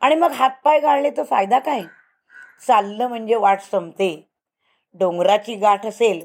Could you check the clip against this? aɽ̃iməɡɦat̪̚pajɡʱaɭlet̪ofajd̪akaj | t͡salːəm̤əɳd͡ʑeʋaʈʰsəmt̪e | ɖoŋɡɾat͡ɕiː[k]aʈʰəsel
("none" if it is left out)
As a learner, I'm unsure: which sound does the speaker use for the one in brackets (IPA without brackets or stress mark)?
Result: ɡ